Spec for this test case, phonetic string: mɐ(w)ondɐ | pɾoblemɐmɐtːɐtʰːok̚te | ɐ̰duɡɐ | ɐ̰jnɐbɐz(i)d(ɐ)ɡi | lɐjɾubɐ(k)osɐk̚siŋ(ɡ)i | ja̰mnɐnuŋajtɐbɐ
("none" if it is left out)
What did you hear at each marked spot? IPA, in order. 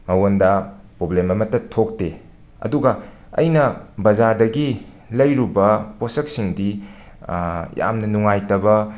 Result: w, a, ɐ, p, d

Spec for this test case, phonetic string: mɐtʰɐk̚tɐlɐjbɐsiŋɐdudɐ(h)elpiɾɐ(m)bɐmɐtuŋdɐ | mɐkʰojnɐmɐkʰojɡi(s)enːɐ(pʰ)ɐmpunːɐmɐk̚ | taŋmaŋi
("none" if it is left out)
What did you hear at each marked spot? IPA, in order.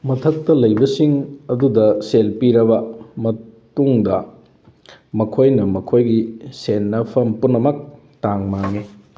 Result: s, none, s, pʰ

